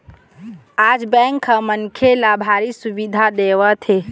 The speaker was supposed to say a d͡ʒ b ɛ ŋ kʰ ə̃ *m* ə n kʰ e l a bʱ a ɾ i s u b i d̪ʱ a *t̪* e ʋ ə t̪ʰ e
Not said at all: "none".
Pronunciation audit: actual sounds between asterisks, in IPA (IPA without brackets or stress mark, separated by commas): m, d̪